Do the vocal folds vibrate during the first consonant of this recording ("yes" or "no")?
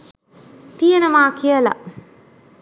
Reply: no